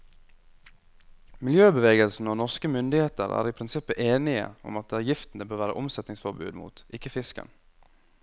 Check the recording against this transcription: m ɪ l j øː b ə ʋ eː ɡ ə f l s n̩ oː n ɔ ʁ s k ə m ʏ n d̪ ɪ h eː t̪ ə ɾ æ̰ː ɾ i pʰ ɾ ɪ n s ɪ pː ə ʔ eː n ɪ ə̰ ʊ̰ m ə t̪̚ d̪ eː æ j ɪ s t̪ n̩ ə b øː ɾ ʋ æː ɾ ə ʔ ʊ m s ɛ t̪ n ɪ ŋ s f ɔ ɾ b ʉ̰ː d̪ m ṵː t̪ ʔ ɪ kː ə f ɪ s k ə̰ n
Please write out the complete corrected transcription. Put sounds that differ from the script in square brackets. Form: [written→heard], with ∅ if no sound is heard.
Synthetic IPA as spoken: m ɪ l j øː b ə ʋ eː ɡ ə [f→∅] l s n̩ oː n ɔ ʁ s k ə m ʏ n d̪ ɪ h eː t̪ ə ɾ æ̰ː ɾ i pʰ ɾ ɪ n s ɪ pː ə ʔ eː n ɪ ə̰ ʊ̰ m [ə→ɑ] t̪̚ d̪ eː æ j ɪ [s→f] t̪ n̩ ə b øː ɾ ʋ æː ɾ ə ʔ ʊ m s ɛ t̪ n ɪ ŋ s f ɔ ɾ b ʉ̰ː d̪ m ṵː t̪ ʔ ɪ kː ə f ɪ s k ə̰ n